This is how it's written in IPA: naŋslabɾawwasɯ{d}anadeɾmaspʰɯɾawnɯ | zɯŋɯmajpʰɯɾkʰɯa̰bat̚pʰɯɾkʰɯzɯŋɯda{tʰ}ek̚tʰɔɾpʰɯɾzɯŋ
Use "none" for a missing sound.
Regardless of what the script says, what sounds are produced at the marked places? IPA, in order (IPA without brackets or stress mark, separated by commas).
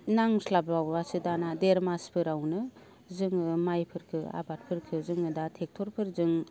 d, tʰ